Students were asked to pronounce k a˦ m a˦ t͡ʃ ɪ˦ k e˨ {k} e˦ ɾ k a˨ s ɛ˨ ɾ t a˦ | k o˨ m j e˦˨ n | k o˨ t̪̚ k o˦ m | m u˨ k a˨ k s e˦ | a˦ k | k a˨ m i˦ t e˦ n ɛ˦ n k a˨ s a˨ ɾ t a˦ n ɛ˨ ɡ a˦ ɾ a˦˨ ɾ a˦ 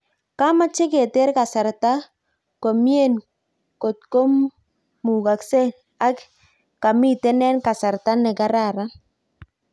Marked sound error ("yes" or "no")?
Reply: yes